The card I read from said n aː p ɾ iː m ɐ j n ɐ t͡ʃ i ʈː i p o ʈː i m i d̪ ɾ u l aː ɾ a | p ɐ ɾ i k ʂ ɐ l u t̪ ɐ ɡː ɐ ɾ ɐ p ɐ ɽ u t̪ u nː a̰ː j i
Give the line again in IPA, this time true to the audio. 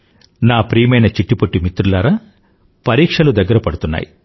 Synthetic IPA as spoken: n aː p ɾ iː m ɐ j n ɐ t͡ʃ i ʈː i p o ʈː i m i t̪ ɾ u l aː ɾ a | p ɐ ɾ iː k ʂ ɐ l u d̪ ɐ ɡː ɐ ɾ ɐ p ɐ ɽ u t̪ u nː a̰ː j i